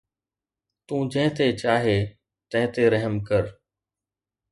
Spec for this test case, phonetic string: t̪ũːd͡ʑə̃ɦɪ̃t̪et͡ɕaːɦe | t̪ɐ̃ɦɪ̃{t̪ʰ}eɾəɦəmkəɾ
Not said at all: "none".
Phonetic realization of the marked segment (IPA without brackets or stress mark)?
t̪